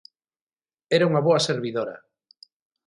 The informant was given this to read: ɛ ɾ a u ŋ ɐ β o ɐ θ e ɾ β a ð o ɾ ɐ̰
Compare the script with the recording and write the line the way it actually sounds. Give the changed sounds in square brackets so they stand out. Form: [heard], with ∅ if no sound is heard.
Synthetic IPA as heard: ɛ ɾ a u ŋ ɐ β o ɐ [s] e ɾ β [i] ð o ɾ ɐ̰

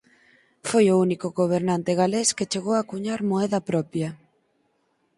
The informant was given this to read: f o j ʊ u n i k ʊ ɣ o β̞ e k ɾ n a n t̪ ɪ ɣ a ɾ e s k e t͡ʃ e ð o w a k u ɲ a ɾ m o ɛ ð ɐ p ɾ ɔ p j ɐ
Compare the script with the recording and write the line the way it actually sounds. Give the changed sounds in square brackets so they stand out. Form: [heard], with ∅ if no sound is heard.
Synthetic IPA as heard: f o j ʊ u n i k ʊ ɣ o β̞ e [∅] ɾ n a n t̪ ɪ ɣ a [l] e s k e t͡ʃ e [ɣ] o w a k u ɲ a ɾ m o ɛ ð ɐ p ɾ ɔ p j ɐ

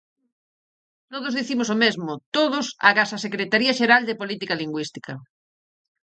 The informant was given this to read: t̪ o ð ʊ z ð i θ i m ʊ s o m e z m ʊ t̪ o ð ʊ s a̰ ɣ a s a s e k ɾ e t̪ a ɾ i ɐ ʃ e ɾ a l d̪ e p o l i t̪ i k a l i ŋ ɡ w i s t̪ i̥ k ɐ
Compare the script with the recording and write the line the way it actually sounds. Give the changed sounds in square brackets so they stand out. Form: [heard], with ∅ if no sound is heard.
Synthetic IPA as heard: t̪ o ð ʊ z ð i θ i m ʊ s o m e z m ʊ t̪ o ð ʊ s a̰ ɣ a s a s e k ɾ e t̪ a ɾ i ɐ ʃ e ɾ a l d̪ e p o l i t̪ i k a l i ŋ ɡ w i s t̪ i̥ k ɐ

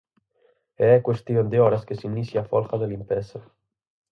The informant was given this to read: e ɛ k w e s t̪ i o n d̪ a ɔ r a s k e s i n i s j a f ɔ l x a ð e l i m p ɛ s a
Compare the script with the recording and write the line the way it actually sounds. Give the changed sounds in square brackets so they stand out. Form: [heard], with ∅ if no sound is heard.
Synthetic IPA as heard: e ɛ k w e s t̪ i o n d̪ [e] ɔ [ɾ] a s k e s i n i s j a f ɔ l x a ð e l i m p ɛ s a

